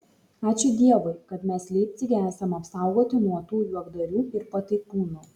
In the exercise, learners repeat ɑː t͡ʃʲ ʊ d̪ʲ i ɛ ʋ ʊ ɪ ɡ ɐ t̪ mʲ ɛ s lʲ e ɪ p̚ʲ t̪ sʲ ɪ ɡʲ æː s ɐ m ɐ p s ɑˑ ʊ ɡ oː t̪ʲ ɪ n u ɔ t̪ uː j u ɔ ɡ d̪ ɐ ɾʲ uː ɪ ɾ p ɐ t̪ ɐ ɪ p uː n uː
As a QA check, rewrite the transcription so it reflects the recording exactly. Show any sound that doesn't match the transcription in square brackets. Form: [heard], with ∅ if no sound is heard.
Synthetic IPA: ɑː t͡ʃʲ ʊ d̪ʲ i ɛ ʋ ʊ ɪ [k] ɐ t̪ mʲ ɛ s lʲ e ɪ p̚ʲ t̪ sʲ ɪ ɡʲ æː s ɐ m ɐ p s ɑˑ ʊ ɡ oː t̪ʲ ɪ n u ɔ t̪ uː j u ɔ ɡ d̪ ɐ ɾʲ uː ɪ ɾ p ɐ t̪ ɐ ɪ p uː n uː